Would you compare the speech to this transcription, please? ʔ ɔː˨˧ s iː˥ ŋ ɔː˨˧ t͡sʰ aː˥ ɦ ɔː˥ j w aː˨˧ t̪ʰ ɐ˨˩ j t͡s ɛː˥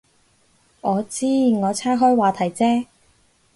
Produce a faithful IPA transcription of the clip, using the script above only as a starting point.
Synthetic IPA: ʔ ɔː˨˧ t͡s iː˥ ŋ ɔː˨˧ t͡sʰ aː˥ ɦ ɔː˥ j w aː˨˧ t̪ʰ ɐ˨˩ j t͡s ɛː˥

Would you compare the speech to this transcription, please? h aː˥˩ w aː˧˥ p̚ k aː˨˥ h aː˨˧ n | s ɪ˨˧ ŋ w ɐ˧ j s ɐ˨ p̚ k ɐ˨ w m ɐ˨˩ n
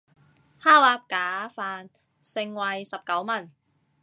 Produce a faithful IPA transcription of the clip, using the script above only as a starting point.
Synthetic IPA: h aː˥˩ w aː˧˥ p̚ k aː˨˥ f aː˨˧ n | s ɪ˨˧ ŋ w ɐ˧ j s ɐ˨ p̚ k ɐ˨˥ w m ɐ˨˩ n

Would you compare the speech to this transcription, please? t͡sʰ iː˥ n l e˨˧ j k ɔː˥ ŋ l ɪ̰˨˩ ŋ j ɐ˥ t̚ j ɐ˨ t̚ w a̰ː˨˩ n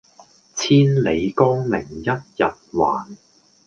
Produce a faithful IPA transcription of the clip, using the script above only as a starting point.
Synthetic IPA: t͡sʰ iː˥ n l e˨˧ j k ɔː˥ ŋ l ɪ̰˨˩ ŋ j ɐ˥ t̚ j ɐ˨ t̚ w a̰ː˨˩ n

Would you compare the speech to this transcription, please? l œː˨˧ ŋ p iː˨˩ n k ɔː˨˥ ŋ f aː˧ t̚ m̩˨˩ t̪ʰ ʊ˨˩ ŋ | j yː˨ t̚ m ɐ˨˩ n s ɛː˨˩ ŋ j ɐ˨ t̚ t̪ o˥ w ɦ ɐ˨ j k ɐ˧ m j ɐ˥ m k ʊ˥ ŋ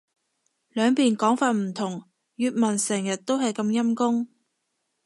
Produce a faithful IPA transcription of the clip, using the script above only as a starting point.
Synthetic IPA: l œː˨˧ ŋ p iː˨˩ n k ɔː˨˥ ŋ f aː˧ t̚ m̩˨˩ t̪ʰ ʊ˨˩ ŋ | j yː˨ t̚ m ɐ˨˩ n s ɛː˨˩ ŋ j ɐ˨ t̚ t̪ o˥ w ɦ ɐ˨ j k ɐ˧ m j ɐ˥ m k ʊ˥ ŋ

